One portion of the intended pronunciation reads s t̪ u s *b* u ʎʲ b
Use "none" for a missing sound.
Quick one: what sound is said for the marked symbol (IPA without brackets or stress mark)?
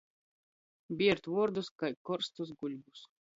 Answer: ɡ